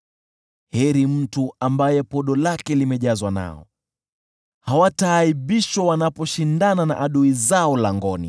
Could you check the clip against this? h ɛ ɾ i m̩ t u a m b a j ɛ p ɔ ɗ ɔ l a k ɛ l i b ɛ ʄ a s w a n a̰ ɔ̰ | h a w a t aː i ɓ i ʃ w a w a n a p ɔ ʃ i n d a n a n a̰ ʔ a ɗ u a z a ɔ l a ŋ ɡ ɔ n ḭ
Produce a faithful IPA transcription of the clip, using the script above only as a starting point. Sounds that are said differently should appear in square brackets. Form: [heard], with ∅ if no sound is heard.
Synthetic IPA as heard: h ɛ ɾ i m̩ t u a m b a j ɛ p ɔ ɗ ɔ l a k ɛ l i [m] ɛ ʄ a [z] w a n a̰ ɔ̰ | h a w a t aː i ɓ i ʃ w a w a n a p ɔ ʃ i n d a n a n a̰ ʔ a ɗ u [i] z a ɔ l a ŋ ɡ ɔ n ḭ